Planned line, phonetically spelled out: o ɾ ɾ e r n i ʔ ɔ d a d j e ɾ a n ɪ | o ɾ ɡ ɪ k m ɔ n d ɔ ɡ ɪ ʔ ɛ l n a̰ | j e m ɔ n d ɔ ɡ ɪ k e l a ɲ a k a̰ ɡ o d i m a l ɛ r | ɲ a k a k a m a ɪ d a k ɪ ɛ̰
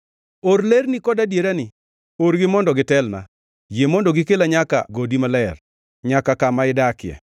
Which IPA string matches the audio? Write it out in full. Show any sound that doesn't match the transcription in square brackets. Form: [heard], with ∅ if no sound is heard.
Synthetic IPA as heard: o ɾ [l] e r n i [k] ɔ d a d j e ɾ a n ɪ | o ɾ ɡ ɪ [∅] m ɔ n d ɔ ɡ ɪ [t] ɛ l n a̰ | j e m ɔ n d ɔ ɡ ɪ k e l a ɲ a k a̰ ɡ o d i m a l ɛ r | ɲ a k a k a m a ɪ d a k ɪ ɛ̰